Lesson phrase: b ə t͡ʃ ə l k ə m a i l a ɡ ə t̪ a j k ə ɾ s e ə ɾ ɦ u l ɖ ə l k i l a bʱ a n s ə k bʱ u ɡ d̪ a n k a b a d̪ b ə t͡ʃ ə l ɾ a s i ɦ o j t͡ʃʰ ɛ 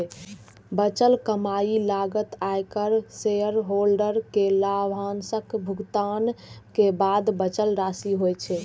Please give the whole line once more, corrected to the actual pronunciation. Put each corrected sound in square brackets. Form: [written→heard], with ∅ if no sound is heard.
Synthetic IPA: b ə t͡ʃ ə l k ə m a i l a ɡ ə t̪ a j k ə ɾ s e ə ɾ ɦ [u→o] l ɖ ə [l→ɾ] k [i→e] l a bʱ a n s ə k bʱ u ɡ [d̪→t̪] a n k [a→e] b a d̪ b ə t͡ʃ ə l ɾ a s i ɦ o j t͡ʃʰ ɛ